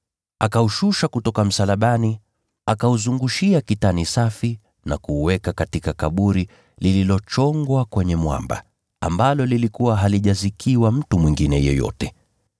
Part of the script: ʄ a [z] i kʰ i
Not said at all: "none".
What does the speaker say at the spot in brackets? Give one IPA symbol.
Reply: z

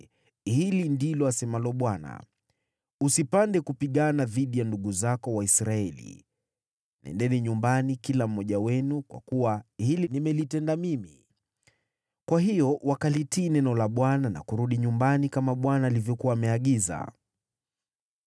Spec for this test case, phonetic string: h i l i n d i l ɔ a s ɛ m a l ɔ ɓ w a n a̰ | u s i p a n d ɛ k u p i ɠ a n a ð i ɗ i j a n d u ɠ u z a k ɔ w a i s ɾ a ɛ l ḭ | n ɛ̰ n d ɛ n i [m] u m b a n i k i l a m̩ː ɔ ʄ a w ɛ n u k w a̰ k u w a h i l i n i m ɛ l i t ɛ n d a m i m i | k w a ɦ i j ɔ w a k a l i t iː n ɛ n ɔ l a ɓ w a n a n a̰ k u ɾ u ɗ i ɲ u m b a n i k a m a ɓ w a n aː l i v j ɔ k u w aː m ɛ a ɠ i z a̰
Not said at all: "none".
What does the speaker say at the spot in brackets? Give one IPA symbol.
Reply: ɲ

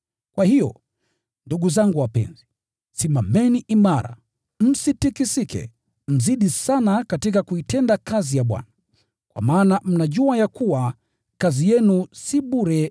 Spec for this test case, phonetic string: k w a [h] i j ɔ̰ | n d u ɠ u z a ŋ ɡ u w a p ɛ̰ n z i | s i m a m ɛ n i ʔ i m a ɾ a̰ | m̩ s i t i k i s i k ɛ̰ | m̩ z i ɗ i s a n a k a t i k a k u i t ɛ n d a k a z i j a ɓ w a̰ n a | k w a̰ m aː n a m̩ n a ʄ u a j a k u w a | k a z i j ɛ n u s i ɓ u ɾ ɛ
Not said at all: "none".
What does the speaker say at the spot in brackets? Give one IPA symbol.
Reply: h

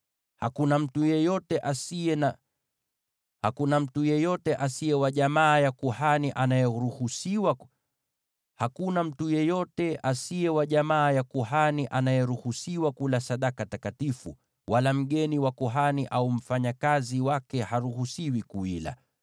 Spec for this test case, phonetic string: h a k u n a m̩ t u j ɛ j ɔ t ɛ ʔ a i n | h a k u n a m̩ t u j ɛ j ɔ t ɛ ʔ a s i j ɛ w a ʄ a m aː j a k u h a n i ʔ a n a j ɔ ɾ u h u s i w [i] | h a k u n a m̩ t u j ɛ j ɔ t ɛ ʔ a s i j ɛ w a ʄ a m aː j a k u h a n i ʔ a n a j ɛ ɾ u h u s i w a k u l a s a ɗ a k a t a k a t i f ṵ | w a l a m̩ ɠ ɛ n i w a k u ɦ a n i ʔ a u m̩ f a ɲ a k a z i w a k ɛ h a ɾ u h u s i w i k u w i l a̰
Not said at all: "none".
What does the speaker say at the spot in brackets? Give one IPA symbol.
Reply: a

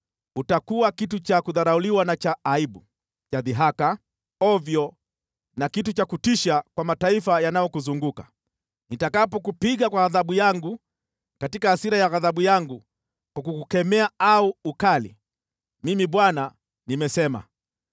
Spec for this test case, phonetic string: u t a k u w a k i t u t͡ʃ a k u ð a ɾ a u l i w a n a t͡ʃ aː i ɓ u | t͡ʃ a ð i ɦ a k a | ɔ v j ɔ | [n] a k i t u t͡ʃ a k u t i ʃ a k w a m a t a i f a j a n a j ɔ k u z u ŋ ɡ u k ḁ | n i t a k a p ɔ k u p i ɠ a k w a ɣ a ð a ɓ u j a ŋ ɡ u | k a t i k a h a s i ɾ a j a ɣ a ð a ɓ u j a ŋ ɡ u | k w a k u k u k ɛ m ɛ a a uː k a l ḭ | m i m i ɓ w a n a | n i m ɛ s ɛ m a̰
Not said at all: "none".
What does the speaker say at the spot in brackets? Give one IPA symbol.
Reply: n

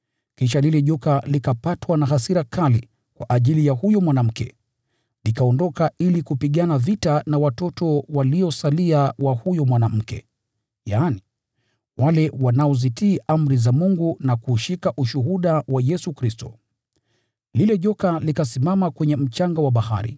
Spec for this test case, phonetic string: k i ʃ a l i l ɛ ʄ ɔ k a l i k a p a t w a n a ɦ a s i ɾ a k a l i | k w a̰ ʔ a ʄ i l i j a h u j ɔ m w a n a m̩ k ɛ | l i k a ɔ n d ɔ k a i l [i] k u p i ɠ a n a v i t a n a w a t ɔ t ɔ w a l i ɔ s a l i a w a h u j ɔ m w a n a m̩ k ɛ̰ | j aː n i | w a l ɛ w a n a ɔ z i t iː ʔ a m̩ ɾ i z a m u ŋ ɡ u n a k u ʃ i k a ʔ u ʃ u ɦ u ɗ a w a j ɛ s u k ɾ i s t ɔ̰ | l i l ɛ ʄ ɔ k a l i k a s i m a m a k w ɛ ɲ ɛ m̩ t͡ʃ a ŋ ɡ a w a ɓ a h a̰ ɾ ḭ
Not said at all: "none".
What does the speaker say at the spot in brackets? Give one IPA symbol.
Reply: i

